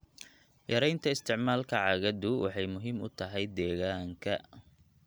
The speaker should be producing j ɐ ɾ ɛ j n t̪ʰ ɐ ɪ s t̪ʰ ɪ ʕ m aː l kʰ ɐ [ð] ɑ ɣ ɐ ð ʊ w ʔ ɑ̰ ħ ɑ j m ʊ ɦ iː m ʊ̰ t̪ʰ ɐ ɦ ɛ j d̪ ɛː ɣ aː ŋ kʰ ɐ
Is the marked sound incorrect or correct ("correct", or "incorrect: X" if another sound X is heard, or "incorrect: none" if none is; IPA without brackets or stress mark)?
incorrect: ʕ